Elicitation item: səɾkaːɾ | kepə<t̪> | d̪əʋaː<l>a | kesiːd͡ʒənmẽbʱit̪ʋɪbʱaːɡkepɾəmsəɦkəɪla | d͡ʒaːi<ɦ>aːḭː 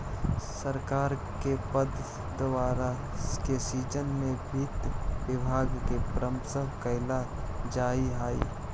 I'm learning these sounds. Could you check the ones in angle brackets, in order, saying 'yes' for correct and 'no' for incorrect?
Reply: no, no, yes

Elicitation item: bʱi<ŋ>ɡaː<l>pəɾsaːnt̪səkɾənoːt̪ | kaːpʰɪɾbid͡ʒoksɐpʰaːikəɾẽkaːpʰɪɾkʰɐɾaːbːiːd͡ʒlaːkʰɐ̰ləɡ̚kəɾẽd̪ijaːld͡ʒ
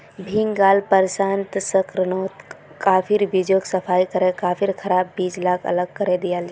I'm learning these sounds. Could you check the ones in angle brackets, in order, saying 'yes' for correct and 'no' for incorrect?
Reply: yes, yes

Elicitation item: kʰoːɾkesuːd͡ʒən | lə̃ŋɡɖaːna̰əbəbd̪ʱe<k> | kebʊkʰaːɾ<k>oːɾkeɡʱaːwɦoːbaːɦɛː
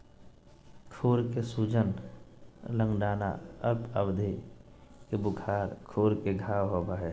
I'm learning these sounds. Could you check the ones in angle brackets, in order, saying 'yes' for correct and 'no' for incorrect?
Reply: no, no

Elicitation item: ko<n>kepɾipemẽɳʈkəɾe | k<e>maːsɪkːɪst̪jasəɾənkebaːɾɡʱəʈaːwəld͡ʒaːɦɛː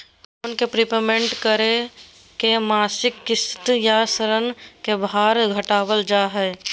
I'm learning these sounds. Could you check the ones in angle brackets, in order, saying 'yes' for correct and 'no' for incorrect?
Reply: yes, yes

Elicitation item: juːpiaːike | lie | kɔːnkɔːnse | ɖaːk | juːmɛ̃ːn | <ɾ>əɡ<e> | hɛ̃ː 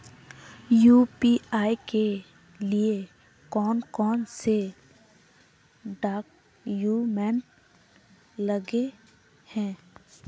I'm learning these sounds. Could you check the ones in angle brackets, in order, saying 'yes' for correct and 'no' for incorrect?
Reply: no, yes

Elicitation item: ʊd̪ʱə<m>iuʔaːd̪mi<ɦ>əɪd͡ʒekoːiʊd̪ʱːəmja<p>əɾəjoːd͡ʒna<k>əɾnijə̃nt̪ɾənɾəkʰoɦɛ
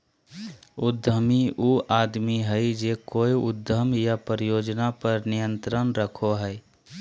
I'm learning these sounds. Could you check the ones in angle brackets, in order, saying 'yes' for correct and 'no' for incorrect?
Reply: yes, yes, yes, no

